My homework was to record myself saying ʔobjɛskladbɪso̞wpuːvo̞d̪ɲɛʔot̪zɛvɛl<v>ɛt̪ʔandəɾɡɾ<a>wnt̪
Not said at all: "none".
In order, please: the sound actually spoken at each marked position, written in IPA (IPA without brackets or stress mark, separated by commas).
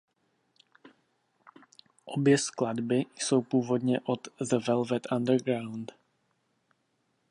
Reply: v, a